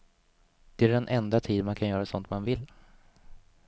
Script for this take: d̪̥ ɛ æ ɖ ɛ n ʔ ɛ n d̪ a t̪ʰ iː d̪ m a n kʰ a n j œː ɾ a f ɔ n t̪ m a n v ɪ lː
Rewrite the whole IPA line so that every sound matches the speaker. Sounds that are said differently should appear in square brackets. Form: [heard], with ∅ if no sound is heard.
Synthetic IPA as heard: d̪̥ ɛ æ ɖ ɛ n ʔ ɛ n d̪ a t̪ʰ iː d̪ m a n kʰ a n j œː ɾ a [s] ɔ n t̪ m a n v ɪ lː